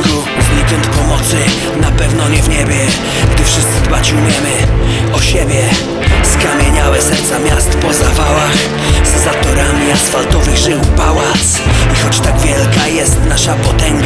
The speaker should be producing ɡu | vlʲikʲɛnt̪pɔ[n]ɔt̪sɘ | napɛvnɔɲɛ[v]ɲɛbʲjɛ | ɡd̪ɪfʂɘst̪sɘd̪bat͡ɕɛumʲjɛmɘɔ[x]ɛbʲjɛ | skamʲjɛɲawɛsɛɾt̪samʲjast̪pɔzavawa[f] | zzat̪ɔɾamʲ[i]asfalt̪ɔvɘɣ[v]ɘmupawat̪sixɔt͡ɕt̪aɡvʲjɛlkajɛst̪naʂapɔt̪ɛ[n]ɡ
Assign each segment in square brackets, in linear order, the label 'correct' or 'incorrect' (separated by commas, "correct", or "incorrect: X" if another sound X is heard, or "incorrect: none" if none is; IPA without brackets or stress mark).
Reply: incorrect: m, correct, incorrect: ɕ, incorrect: x, correct, incorrect: ʐ, incorrect: ŋ